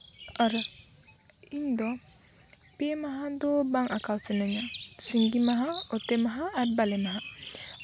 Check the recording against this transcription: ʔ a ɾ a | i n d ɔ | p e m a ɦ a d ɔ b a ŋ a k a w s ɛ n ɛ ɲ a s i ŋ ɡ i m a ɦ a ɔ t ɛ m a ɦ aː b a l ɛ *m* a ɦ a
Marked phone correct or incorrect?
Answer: correct